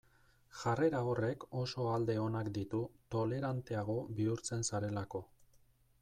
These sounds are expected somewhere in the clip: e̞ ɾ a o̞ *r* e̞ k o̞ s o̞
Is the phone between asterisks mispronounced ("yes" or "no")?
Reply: no